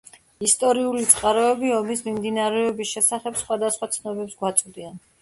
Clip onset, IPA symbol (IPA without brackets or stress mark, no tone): i